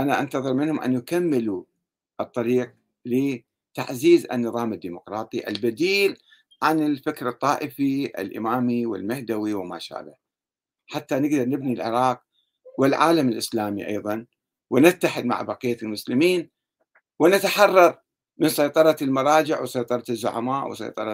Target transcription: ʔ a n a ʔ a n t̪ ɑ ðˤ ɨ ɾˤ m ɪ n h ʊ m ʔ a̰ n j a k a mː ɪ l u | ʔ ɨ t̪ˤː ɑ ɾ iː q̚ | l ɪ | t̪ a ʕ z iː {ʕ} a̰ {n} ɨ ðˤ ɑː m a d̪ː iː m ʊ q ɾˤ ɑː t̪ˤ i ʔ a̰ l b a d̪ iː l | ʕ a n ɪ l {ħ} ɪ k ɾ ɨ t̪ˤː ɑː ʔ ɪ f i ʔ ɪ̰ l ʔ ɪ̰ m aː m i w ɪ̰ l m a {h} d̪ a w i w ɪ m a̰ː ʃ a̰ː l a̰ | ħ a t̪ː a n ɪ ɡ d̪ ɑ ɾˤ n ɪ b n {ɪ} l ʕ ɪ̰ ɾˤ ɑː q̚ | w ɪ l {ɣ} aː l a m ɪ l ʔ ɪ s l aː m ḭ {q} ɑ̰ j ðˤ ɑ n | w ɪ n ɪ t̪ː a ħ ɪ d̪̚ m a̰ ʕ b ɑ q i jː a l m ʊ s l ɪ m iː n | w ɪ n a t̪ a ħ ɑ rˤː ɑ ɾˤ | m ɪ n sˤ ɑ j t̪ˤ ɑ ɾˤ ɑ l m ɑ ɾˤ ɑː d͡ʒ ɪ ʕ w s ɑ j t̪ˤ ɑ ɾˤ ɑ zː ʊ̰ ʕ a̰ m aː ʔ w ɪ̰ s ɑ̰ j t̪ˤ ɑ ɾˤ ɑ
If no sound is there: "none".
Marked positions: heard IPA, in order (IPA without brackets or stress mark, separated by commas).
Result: z, nː, f, h, i, ʕ, ʔ